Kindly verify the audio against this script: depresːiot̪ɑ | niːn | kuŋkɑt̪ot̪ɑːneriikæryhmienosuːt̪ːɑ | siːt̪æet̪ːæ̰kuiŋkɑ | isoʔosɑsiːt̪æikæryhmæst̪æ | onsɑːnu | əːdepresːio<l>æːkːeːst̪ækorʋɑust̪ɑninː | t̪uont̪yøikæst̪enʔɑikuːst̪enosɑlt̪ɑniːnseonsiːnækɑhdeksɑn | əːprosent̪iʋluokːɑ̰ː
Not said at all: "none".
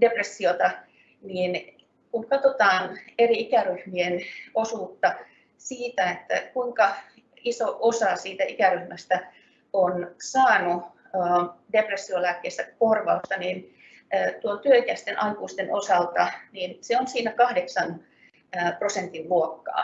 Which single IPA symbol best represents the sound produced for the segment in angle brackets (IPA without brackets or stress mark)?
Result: l